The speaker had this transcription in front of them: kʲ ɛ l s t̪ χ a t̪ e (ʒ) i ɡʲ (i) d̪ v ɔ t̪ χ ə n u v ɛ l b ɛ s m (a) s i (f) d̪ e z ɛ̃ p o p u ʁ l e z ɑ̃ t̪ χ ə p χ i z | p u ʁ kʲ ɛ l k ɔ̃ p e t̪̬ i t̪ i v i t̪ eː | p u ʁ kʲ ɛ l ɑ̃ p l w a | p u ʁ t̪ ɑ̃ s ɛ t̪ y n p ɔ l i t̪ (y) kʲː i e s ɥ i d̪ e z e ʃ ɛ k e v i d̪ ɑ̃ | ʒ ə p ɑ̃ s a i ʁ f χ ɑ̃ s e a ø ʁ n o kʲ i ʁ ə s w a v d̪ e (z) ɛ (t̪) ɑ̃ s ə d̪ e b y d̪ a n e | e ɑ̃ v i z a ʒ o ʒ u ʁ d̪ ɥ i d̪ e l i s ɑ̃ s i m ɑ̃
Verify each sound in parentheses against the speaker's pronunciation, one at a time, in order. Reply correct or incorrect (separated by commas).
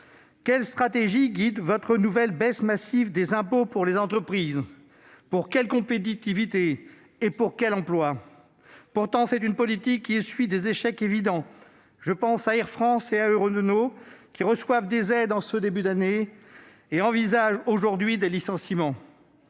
correct, correct, correct, incorrect, incorrect, correct, incorrect